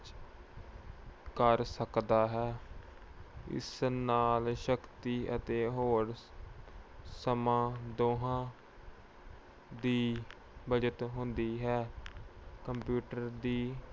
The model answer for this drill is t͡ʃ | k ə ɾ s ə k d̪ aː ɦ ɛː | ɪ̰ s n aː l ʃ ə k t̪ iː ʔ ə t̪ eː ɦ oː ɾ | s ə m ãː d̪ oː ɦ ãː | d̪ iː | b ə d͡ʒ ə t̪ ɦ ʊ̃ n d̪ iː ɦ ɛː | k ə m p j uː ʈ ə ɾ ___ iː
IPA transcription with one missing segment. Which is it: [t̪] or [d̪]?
d̪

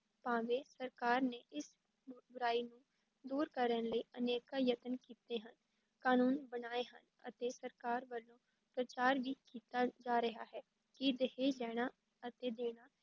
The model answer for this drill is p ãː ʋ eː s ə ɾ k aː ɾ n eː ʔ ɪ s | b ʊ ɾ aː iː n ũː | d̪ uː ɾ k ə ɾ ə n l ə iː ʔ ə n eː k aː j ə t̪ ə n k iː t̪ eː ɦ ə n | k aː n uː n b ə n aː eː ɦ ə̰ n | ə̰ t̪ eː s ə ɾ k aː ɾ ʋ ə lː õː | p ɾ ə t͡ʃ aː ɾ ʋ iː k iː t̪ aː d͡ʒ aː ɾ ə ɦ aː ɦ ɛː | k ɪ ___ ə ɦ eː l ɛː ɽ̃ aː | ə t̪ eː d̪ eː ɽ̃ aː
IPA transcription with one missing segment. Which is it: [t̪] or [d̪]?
d̪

